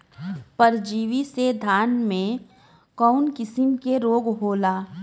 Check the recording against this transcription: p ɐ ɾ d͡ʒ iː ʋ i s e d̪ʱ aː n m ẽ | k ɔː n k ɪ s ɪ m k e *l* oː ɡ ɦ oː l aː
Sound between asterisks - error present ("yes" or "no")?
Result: yes